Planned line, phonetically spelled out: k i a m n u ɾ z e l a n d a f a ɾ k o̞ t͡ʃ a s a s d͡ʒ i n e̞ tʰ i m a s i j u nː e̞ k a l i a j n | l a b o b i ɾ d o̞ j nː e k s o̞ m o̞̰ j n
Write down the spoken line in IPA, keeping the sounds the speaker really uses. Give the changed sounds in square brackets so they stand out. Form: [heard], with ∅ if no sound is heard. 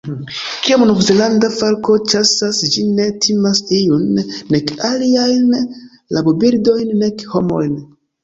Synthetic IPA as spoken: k i a m n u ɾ z e l a n d a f a ɾ k o̞ t͡ʃ a s a s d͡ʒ i n e̞ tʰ i m a s i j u nː e̞ k a l i a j n | l a b o b i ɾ d o̞ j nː e k [h] o̞ m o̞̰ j n